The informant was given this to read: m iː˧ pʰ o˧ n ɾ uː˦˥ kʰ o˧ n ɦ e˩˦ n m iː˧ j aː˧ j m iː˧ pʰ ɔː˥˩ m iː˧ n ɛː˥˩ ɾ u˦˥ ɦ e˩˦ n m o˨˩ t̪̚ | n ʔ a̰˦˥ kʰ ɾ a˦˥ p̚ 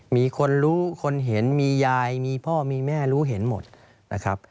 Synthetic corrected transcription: m iː˧ kʰ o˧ n ɾ uː˦˥ kʰ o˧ n ɦ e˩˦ n m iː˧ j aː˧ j m iː˧ pʰ ɔː˥˩ m iː˧ m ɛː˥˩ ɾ uː˦˥ ɦ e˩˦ n m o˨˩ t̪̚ | n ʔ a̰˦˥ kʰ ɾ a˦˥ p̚